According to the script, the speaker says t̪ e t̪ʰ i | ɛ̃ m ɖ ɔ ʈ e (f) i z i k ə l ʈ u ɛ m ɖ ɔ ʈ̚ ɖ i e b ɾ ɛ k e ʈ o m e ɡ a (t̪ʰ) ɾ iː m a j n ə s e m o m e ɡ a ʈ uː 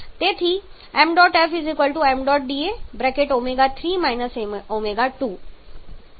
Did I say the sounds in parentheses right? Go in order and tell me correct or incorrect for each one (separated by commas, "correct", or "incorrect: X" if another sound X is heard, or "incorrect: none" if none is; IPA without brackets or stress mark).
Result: correct, correct